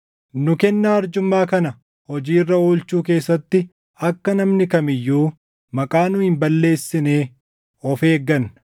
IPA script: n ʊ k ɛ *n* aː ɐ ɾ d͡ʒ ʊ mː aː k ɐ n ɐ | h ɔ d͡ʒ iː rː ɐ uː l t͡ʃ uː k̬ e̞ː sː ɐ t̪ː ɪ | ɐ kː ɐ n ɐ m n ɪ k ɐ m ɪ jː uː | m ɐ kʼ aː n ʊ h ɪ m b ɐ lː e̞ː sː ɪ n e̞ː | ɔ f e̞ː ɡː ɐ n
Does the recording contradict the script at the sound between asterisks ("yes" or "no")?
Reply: yes